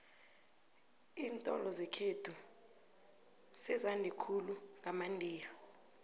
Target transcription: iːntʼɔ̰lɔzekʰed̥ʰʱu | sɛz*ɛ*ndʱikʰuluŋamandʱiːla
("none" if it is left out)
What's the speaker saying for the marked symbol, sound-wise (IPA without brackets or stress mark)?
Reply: a